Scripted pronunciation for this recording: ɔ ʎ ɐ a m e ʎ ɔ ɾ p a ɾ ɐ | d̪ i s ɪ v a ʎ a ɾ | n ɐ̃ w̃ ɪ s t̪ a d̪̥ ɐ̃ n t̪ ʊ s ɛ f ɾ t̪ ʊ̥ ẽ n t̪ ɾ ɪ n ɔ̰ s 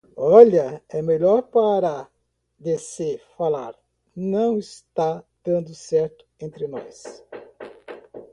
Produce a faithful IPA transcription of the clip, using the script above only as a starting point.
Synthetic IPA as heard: ɔ ʎ ɐ ɛ m e ʎ ɔ ɾ p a ɾ ɐ | d̪ e s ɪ f a l a ɾ | n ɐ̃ w̃ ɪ s t̪ a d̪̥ ɐ̃ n d̪ ʊ s ɛ ɾ t̪ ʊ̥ ẽ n t̪ ɾ ɪ n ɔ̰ s

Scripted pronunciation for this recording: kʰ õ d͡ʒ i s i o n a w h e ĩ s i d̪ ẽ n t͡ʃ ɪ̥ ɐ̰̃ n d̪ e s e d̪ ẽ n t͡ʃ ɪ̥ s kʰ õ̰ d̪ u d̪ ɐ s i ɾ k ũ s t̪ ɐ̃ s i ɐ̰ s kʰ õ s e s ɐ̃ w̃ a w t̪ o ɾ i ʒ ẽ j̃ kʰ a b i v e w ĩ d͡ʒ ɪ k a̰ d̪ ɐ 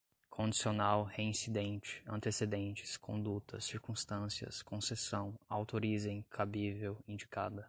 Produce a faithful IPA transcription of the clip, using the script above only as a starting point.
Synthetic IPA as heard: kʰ õ d͡ʒ i s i o n a w h e ĩ s i d̪ ẽ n t͡ʃ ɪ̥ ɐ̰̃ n t̪ e s e d̪ ẽ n t͡ʃ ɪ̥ s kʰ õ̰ d̪ u t̪ ɐ s i ɾ k ũ s t̪ ɐ̃ s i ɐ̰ s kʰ õ s e s ɐ̃ w̃ a w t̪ o ɾ i z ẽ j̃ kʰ a b i v e w ĩ d͡ʒ i k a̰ d̪ ɐ

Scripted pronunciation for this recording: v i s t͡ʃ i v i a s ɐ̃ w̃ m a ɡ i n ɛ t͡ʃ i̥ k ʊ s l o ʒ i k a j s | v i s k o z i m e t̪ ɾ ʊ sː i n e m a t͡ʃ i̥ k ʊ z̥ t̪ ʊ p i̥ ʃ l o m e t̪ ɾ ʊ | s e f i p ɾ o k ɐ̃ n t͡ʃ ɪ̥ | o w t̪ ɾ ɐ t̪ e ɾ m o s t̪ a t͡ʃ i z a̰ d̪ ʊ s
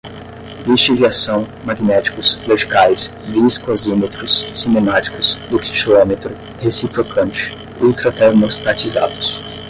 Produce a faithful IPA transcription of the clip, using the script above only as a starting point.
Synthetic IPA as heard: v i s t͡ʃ i v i a s ɐ̃ w̃ m a ɡ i n ɛ t͡ʃ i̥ k ʊ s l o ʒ i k a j s | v i s k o z i m e t̪ ɾ ʊ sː i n e m a t͡ʃ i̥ k ʊ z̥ d̪ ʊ k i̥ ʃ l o m e t̪ ɾ ʊ | h e s i p ɾ o k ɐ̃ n t͡ʃ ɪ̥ | u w t̪ ɾ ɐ t̪ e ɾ m o s t̪ a t͡ʃ i z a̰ d̪ ʊ s

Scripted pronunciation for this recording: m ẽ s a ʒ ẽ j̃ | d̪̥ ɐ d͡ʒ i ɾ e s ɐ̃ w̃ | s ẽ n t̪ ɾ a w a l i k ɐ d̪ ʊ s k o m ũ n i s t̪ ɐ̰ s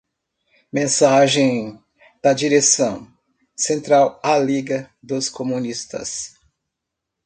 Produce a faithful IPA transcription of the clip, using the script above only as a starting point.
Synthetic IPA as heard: m ẽ s a ʒ ẽ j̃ | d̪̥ ɐ d͡ʒ i ɾ e s ɐ̃ w̃ | s ẽ n t̪ ɾ a w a l i ɡ ɐ d̪ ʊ s k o m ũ n i s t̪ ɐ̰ s

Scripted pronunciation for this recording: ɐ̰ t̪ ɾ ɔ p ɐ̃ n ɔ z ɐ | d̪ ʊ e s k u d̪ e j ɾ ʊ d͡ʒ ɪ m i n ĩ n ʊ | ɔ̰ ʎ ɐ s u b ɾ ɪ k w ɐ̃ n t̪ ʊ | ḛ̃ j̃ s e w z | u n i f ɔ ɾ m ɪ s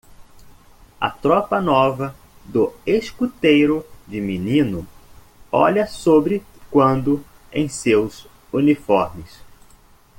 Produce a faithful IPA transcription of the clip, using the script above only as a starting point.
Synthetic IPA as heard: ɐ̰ t̪ ɾ ɔ p ɐ n ɔ v ɐ | d̪ ʊ e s k u t̪ e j ɾ ʊ d͡ʒ ɪ m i n ĩ n ʊ | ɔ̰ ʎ ɐ s o b ɾ ɪ k w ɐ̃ n d̪ ʊ | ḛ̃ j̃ s e w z | u n i f ɔ ɾ m ɪ s

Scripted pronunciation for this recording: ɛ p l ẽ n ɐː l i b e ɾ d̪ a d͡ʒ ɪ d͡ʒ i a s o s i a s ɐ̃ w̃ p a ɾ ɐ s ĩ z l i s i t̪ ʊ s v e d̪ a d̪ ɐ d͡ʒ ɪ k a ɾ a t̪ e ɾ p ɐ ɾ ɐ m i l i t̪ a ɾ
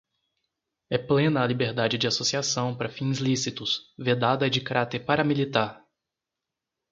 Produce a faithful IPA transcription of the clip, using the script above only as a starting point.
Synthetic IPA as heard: ɛ p l ẽ n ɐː l i b e ɾ d̪ a d͡ʒ ɪ d͡ʒ ɪ a s o s i a s ɐ̃ w̃ p a ɾ ɐ f ĩ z l i s i t̪ ʊ s v e d̪ a d̪ ɐ d͡ʒ ɪ k a ɾ a t̪ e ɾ p a ɾ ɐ m i l i t̪ a ɾ

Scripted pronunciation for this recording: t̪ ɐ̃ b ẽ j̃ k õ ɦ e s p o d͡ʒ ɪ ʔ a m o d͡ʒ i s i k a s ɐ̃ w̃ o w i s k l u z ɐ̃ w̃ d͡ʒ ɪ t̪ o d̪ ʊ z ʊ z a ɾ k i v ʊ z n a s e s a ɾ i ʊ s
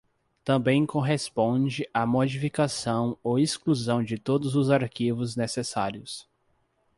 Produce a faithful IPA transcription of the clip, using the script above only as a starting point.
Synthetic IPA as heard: t̪ ɐ̃ b ẽ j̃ k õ ɦ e s p õ d͡ʒ ɪ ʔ a m o d͡ʒ i f i k a s ɐ̃ w̃ o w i s k l u z ɐ̃ w̃ d͡ʒ ɪ t̪ o d̪ ʊ z ʊ z a ɾ k i v ʊ z n e s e s a ɾ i ʊ s

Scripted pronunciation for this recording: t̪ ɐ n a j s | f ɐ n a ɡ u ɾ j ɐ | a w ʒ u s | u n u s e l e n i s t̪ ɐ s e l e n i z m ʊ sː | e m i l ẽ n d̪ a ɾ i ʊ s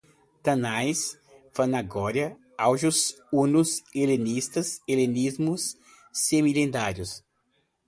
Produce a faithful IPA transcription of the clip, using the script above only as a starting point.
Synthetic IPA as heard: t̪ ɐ n a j s | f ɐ n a ɡ ɔ ɾ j ɐ | a w ʒ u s | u n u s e l e n i s t̪ ɐ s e l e n i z m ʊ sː | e m i l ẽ n d̪ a ɾ j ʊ s

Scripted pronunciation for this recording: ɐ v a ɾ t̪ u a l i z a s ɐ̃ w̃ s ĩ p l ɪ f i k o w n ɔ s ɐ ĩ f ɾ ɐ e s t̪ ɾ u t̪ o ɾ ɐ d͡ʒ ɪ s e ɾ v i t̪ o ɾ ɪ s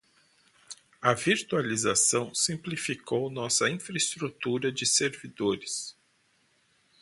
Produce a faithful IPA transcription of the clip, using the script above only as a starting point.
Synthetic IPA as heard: ɐ v i ɾ t̪ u a l i z a s ɐ̃ w̃ s ĩ p l i f i k o w n ɔ s ɐ ĩ f ɾ ɐ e s t̪ ɾ u t̪ u ɾ ɐ d͡ʒ ɪ s e ɾ v i d̪ o ɾ ɪ s

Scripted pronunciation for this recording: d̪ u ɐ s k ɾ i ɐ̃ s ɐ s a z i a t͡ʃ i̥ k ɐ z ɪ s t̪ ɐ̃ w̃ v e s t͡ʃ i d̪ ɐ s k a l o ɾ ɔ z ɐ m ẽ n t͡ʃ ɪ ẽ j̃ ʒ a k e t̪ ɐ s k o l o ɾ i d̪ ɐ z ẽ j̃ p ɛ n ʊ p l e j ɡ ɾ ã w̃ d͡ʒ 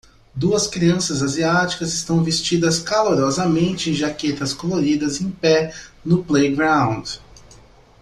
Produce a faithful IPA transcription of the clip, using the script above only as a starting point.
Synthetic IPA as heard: d̪ u ɐ s k ɾ i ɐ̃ s ɐ z a z i a t͡ʃ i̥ k ɐ z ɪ s t̪ ɐ̃ w̃ v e s t͡ʃ i d̪ ɐ s k a l o ɾ ɔ z ɐ m ẽ n t͡ʃ ɪ ẽ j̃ ʒ a k e t̪ ɐ s k o l o ɾ i d̪ ɐ z ẽ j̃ p ɛ n ʊ p l e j ɡ ɾ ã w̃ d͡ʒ

